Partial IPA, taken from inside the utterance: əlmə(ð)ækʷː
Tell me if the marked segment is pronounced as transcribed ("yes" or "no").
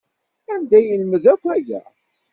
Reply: yes